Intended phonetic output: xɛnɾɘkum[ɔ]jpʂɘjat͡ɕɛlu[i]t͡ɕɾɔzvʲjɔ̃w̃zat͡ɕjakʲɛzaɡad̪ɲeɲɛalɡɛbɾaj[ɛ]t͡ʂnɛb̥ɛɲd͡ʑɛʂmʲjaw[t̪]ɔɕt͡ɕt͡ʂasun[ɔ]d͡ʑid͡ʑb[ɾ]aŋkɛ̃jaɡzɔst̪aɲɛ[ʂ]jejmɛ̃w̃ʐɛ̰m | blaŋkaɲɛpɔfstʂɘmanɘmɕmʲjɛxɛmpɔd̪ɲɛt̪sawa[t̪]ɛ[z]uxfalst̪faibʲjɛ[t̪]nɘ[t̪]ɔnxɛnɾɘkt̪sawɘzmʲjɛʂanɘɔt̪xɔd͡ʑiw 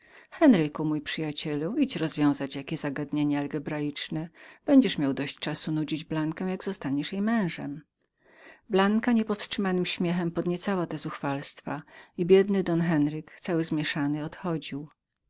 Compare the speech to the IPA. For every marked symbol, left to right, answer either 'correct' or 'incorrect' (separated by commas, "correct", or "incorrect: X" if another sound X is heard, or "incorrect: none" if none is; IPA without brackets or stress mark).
incorrect: u, correct, incorrect: i, incorrect: d̪, incorrect: u, incorrect: l, correct, correct, correct, incorrect: d̪, incorrect: d̪